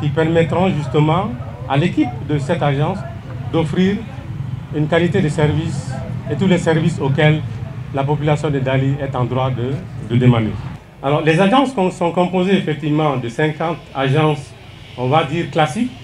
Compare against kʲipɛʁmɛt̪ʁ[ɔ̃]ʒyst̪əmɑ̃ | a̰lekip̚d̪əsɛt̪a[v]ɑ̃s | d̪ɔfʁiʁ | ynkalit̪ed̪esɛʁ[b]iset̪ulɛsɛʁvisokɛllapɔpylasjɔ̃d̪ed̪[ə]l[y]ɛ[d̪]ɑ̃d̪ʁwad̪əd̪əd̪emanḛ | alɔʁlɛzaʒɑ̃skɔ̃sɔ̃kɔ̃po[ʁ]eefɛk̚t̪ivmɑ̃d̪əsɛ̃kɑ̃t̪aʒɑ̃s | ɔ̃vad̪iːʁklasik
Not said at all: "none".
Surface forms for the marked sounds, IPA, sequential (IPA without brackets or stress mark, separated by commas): ɔ̃, ʒ, v, a, i, t̪, z